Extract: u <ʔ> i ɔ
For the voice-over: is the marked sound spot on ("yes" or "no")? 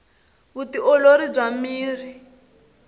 no